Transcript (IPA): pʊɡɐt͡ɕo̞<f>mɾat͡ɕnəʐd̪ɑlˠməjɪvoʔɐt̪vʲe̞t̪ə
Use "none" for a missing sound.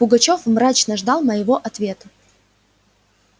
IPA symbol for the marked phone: f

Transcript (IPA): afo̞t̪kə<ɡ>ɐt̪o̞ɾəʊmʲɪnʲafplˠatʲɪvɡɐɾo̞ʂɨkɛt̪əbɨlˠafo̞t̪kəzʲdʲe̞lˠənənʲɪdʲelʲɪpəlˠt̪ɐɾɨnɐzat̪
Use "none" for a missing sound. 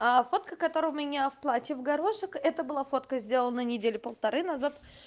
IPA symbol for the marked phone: k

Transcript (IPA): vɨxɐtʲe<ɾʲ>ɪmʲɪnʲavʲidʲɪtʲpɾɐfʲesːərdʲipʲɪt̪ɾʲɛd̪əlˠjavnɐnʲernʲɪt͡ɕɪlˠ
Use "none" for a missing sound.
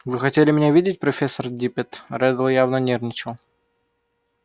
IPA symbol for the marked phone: lʲ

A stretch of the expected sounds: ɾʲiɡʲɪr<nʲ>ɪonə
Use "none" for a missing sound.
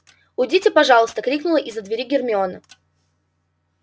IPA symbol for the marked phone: mʲ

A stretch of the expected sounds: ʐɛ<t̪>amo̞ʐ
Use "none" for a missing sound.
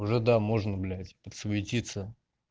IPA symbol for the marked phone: d̪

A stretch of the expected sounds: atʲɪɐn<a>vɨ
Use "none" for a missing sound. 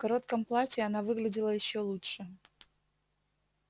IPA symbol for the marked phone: a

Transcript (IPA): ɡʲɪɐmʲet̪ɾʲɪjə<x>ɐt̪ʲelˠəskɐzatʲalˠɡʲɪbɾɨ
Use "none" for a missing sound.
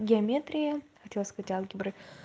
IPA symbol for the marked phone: x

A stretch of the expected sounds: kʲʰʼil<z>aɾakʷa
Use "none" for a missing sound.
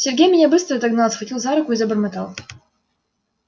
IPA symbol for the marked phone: z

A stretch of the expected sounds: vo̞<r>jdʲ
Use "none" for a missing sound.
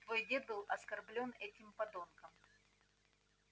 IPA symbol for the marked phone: none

